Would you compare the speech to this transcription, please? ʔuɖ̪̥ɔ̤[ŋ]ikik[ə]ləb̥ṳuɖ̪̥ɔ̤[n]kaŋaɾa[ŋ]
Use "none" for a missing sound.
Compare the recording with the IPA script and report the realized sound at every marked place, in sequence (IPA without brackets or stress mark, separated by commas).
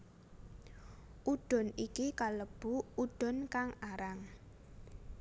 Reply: n, a, n, ŋ